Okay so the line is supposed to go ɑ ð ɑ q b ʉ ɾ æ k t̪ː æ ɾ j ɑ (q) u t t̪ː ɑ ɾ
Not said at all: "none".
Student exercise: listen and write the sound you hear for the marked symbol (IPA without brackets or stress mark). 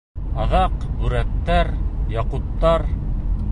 q